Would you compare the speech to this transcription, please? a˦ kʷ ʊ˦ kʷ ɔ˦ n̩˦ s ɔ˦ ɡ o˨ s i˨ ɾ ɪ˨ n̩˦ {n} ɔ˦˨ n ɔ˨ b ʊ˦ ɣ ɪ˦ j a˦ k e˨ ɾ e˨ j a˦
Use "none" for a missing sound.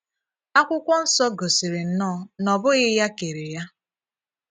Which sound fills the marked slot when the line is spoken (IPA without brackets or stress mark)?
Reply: n